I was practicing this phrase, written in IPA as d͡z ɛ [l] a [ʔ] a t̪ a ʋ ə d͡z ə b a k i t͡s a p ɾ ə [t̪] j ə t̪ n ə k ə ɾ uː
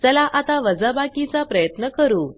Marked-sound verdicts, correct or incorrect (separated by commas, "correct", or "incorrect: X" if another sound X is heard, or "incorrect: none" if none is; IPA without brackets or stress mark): correct, correct, incorrect: none